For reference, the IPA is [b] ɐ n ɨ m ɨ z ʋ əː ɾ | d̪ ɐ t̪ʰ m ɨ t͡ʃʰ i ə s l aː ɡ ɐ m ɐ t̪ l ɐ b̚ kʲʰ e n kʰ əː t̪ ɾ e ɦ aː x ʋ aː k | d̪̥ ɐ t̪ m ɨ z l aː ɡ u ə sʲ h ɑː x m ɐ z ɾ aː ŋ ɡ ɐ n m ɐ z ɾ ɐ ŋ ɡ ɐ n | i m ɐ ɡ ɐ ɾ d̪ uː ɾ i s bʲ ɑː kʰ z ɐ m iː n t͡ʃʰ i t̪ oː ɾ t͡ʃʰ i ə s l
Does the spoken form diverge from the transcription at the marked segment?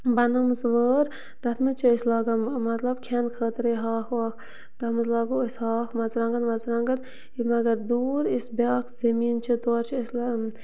no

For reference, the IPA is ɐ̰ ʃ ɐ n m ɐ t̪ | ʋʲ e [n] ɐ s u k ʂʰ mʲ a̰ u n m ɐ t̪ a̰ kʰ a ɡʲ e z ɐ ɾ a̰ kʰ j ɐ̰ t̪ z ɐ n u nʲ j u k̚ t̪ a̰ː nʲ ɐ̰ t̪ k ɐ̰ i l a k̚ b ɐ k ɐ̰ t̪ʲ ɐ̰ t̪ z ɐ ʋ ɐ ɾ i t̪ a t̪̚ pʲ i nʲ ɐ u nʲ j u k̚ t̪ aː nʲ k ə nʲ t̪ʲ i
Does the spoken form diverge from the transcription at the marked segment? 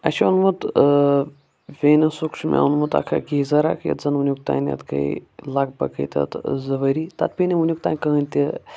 no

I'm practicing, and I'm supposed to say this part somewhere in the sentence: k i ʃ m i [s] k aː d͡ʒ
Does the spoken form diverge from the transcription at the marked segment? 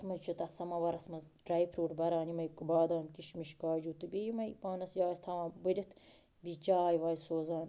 yes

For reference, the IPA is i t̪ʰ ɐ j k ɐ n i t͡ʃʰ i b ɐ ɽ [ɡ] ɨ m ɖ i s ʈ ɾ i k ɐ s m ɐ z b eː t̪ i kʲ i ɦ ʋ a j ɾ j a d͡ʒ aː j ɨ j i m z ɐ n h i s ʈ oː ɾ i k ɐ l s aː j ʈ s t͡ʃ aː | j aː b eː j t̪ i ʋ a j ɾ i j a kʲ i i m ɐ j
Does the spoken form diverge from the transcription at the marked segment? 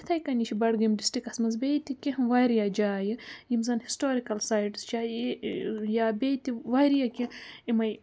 no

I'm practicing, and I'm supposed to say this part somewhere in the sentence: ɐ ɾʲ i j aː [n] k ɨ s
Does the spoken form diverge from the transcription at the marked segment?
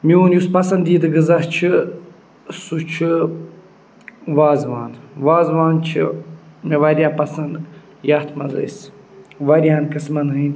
no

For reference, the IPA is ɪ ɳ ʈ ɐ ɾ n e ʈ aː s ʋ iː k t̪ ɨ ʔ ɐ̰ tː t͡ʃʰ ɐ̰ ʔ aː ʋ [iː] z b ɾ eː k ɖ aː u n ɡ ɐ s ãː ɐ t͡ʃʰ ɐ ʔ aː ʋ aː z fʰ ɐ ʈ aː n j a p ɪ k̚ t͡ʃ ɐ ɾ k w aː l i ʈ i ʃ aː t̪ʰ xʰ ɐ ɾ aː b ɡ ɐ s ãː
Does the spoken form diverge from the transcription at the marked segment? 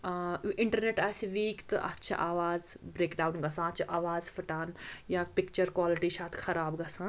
yes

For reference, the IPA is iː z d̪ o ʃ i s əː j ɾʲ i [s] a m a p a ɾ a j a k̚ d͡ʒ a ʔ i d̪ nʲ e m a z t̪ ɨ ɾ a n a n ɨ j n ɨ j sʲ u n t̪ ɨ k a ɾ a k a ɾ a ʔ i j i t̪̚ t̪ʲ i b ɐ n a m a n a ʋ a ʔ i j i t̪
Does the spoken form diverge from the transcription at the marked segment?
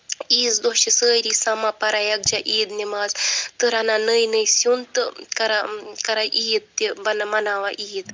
no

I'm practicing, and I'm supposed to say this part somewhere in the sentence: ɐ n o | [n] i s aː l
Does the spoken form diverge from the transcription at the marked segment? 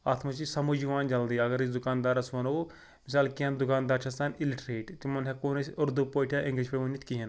yes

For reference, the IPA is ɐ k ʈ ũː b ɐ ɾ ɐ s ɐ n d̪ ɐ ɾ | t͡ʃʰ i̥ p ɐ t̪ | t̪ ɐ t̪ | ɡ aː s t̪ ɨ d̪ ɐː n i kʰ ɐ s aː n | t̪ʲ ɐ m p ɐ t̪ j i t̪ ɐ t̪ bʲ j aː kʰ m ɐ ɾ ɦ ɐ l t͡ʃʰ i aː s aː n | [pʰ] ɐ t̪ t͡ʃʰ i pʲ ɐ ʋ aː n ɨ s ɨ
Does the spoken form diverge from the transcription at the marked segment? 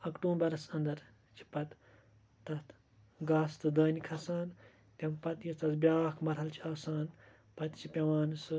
yes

